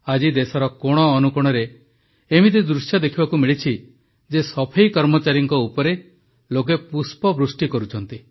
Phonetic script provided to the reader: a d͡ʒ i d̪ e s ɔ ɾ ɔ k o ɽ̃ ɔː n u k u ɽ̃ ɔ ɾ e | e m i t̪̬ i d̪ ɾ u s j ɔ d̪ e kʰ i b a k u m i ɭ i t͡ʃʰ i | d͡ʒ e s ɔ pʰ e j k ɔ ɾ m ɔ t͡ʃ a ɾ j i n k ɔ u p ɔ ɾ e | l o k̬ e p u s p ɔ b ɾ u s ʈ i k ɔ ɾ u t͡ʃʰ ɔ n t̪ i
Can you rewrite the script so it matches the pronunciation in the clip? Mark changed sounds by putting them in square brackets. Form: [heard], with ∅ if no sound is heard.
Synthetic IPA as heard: a d͡ʒ i d̪ e s ɔ ɾ ɔ k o ɽ̃ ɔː n u k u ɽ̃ ɔ ɾ e | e m i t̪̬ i d̪ ɾ u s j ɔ d̪ e kʰ i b a k u m i ɭ i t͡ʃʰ i | d͡ʒ e s ɔ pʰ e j k ɔ ɾ m ɔ t͡ʃ a ɾ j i [ŋ] k ɔ u p ɔ ɾ e | l o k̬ e p u s p ɔ b ɾ u s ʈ i k ɔ ɾ u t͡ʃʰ ɔ n t̪ i